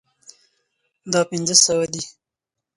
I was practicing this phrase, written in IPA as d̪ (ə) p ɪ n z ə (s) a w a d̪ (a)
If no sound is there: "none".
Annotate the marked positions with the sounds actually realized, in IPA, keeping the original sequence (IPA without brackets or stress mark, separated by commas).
ɑ, s, i